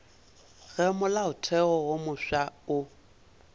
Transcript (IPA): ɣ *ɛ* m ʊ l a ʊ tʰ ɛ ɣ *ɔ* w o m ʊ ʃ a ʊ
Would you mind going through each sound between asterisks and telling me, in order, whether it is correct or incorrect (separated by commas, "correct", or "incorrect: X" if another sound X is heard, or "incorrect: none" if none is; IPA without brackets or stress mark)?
correct, correct